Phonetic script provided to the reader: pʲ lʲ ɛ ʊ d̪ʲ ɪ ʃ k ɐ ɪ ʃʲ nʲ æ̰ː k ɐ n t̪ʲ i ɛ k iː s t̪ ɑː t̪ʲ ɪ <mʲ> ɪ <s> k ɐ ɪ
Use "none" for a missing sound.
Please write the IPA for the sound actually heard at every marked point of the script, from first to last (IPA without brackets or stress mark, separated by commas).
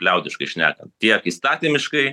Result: mʲ, ʃ